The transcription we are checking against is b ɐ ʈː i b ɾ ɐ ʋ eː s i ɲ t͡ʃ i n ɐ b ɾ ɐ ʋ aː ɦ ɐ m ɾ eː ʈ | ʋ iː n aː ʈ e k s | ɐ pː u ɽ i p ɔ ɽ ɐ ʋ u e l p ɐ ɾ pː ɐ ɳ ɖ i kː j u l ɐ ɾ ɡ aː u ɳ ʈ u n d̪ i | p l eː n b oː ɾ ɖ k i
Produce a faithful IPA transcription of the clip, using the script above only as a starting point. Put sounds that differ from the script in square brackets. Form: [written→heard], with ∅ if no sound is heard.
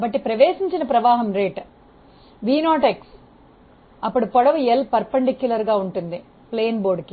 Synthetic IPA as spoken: b ɐ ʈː i [b→p] ɾ ɐ ʋ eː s i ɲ t͡ʃ i n ɐ [b→p] ɾ ɐ ʋ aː ɦ ɐ m ɾ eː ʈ | ʋ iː n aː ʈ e k s | ɐ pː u ɽ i p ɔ ɽ ɐ ʋ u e l p ɐ ɾ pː ɐ ɳ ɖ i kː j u l ɐ ɾ ɡ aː u ɳ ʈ u n d̪ i | p l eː n b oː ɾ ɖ k i

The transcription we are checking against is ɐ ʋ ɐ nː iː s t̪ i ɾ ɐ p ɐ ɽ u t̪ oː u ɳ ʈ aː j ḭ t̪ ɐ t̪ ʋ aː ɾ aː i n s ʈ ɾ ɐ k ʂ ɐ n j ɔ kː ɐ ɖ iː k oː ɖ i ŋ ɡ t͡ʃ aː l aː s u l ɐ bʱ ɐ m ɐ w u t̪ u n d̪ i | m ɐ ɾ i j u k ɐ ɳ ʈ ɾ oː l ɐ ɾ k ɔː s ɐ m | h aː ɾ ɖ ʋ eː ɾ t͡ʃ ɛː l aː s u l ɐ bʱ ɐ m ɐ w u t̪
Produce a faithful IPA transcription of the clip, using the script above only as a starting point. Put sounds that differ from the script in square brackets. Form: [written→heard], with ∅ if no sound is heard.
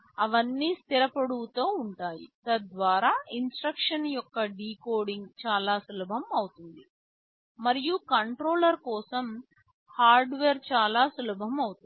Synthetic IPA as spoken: ɐ ʋ ɐ nː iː s t̪ i ɾ ɐ p ɐ ɽ u t̪ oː u ɳ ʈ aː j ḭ t̪ ɐ [t̪→d̪] ʋ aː ɾ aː i n s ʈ ɾ ɐ k ʂ ɐ n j ɔ kː ɐ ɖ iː k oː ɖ i ŋ ɡ t͡ʃ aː l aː s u l ɐ bʱ ɐ m ɐ w u t̪ u n d̪ i | m ɐ ɾ i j u k ɐ ɳ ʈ ɾ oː l ɐ ɾ k ɔː s ɐ m | h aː ɾ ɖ ʋ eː ɾ t͡ʃ [ɛː→aː] l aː s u l ɐ bʱ ɐ m ɐ w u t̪

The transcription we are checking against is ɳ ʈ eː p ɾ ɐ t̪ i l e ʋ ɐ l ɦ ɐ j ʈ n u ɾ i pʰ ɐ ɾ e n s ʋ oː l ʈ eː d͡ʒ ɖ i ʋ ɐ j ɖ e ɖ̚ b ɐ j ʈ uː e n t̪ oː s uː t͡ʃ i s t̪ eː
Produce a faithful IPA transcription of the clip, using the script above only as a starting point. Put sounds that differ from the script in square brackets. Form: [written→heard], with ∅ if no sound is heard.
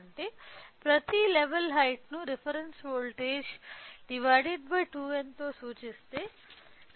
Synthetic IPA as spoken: ɳ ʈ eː p ɾ ɐ t̪ i l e ʋ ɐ l ɦ ɐ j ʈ n u ɾ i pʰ ɐ ɾ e n s ʋ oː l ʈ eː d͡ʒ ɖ i ʋ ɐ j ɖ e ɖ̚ b ɐ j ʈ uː e n t̪ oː s uː t͡ʃ i s t̪ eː

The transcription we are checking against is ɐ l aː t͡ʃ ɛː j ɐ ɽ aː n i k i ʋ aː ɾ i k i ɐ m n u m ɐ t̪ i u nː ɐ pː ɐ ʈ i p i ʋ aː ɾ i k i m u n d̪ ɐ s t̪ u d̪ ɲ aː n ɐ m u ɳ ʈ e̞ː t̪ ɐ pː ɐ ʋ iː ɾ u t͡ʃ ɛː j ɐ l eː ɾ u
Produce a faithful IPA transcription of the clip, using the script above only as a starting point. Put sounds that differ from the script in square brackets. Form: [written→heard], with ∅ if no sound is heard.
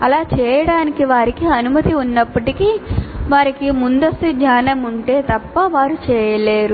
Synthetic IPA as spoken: ɐ l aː t͡ʃ ɛː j ɐ ɽ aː n i k i ʋ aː ɾ i k i ɐ [m→∅] n u m ɐ t̪ i u nː ɐ pː ɐ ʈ i [p→k] i ʋ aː ɾ i k i m u n d̪ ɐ s t̪ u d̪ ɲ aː n ɐ m u ɳ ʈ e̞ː t̪ ɐ pː ɐ ʋ [iː→aː] ɾ u t͡ʃ ɛː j ɐ l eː ɾ u

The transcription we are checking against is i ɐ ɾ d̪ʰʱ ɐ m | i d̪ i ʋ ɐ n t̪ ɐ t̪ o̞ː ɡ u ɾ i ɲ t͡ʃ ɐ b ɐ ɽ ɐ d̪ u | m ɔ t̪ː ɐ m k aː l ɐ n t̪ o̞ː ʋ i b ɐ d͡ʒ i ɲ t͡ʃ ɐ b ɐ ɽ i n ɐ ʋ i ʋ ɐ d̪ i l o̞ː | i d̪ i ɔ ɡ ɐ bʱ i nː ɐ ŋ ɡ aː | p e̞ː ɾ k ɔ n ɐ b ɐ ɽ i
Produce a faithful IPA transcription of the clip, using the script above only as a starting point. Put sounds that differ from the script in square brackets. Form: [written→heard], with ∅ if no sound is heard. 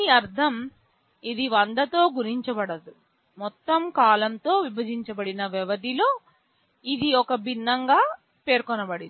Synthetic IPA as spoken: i ɐ ɾ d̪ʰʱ ɐ m | i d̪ i ʋ ɐ n [t̪→d̪] ɐ t̪ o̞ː ɡ u ɾ i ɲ t͡ʃ ɐ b ɐ ɽ ɐ d̪ u | m ɔ t̪ː ɐ m k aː l ɐ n t̪ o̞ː ʋ i b ɐ d͡ʒ i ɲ t͡ʃ ɐ b ɐ ɽ i n ɐ ʋ [i→ɛ] ʋ ɐ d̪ i l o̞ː | i d̪ i ɔ [ɡ→k] ɐ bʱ i nː ɐ ŋ ɡ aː | p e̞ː ɾ k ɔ n ɐ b ɐ ɽ i

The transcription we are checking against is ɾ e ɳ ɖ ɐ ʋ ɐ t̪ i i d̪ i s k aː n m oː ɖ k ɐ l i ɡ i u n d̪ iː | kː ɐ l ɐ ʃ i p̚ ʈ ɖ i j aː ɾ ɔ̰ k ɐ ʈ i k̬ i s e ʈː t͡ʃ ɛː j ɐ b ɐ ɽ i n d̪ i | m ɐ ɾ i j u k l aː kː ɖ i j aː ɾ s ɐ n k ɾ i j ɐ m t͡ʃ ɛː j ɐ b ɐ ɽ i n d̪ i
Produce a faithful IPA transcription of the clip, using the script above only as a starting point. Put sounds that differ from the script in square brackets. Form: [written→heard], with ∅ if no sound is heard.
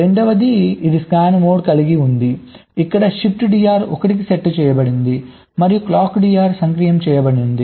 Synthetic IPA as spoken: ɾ e ɳ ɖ ɐ ʋ ɐ [t̪→d̪] i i d̪ i s k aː n m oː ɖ k ɐ l i ɡ i u n d̪ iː | kː ɐ [l→ɽ] ɐ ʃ i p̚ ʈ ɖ i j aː ɾ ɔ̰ k ɐ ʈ i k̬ i s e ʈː t͡ʃ ɛː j ɐ b ɐ ɽ i n d̪ i | m ɐ ɾ i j u k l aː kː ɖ i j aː ɾ s ɐ [n→ŋ] k ɾ i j ɐ m t͡ʃ ɛː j ɐ b ɐ ɽ i n d̪ i

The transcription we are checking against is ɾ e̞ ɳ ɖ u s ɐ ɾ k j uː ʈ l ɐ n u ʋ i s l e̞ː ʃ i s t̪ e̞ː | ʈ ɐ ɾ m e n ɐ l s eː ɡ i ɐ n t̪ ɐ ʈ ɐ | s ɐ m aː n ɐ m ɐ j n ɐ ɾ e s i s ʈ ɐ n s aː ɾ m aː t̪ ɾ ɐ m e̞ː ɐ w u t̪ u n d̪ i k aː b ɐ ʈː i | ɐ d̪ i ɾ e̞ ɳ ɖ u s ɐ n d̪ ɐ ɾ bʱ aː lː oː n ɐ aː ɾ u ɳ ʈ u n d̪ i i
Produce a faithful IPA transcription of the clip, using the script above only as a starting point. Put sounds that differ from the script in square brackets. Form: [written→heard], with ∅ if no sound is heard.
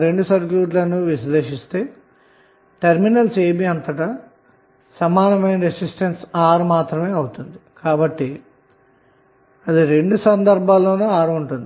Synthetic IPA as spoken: ɾ e̞ ɳ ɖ u s ɐ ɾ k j uː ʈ l ɐ n u ʋ i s l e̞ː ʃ i s t̪ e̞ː | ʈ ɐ ɾ m [e→i] n ɐ l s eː [ɡ→b] i ɐ n t̪ ɐ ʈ ɐ | s ɐ m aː n ɐ m ɐ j n ɐ ɾ e s i s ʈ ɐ n s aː ɾ m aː t̪ ɾ ɐ m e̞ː ɐ w u t̪ u n d̪ i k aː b ɐ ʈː i | ɐ d̪ i ɾ e̞ ɳ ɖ u s ɐ n d̪ ɐ ɾ bʱ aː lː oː n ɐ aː ɾ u ɳ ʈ u n d̪ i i

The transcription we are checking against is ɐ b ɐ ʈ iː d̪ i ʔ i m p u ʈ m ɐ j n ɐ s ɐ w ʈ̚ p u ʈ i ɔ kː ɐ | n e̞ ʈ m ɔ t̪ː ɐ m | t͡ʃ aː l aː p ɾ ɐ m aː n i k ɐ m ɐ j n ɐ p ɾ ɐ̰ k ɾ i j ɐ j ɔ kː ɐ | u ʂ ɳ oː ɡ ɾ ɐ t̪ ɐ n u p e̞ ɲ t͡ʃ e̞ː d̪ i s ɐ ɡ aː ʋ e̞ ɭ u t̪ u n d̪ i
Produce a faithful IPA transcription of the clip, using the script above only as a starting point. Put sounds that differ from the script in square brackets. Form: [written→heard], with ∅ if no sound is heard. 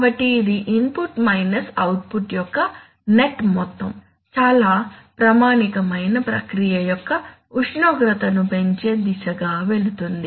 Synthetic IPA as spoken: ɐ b ɐ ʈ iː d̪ i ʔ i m p u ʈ m ɐ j n ɐ s ɐ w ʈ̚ p u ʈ [i→j] ɔ kː ɐ | n e̞ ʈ m ɔ t̪ː ɐ m | t͡ʃ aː l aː p ɾ ɐ m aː n i k ɐ m ɐ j n ɐ p ɾ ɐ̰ k ɾ i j ɐ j ɔ kː ɐ | u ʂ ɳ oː ɡ ɾ ɐ t̪ ɐ n u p e̞ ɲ t͡ʃ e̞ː d̪ i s ɐ ɡ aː ʋ e̞ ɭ u t̪ u n d̪ i

